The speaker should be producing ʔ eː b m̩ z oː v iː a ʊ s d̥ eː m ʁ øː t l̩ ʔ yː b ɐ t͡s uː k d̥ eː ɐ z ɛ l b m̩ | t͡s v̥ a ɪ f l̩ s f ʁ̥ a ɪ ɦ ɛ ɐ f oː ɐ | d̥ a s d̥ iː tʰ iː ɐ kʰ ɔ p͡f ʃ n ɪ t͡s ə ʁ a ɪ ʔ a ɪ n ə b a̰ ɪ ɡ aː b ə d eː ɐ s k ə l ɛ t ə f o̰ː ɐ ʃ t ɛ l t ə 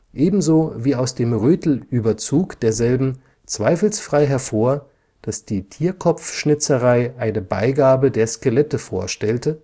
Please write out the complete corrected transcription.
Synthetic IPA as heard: ʔ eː b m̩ z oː v iː a ʊ s d̥ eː m ʁ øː t l̩ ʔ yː b ɐ t͡s uː k d̥ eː ɐ z ɛ l b m̩ | t͡s v̥ a ɪ f l̩ s f ʁ̥ a ɪ ɦ ɛ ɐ f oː ɐ | d̥ a s d̥ iː tʰ iː ɐ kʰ ɔ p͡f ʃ n ɪ t͡s ə ʁ a ɪ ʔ a ɪ n ə b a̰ ɪ ɡ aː b ə d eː ɐ s k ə l ɛ t ə f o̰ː ɐ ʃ t ɛ l t ə